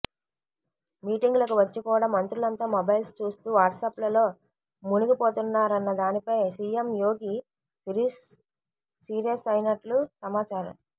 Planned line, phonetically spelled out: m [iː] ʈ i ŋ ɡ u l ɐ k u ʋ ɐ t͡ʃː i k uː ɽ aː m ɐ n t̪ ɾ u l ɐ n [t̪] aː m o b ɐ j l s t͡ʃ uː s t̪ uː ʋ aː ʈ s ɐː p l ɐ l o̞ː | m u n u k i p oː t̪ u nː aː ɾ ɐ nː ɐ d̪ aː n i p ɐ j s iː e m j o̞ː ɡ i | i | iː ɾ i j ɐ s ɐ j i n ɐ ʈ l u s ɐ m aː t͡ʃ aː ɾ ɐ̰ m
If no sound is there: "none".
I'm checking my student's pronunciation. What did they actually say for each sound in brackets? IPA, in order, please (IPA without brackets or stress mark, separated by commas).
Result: iː, t̪